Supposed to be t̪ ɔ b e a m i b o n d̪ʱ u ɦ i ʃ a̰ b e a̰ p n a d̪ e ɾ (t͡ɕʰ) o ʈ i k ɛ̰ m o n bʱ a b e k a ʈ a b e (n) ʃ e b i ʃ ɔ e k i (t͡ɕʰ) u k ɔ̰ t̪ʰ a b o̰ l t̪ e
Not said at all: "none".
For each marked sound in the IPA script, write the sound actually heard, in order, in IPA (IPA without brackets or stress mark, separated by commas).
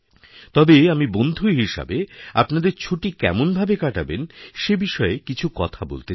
t͡ɕʰ, n, t͡ɕʰ